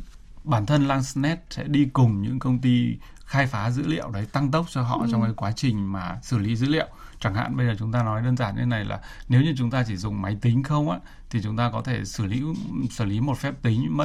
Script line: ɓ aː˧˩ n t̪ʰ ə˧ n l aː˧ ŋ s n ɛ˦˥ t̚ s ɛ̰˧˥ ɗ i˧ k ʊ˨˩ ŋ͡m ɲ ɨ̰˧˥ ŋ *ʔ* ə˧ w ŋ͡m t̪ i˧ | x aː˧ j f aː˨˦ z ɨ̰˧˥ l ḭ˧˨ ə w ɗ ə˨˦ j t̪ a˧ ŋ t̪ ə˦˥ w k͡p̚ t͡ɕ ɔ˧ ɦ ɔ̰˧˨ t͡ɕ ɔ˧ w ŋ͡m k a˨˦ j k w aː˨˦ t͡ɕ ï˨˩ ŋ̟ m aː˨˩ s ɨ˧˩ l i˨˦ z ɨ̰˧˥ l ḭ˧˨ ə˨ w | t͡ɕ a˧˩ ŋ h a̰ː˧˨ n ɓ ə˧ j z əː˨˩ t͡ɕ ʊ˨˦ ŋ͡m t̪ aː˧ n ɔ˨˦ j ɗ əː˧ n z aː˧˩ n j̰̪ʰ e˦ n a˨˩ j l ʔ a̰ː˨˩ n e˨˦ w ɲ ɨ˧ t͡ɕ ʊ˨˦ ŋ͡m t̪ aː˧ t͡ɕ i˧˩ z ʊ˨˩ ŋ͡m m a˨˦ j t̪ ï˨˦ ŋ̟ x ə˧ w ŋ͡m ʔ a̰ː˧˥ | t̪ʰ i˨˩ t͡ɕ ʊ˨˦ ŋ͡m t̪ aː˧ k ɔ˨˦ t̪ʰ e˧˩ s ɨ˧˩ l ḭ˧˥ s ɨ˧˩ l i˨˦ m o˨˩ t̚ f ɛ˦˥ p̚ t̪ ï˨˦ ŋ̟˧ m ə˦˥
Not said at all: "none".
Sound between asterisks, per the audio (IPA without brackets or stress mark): k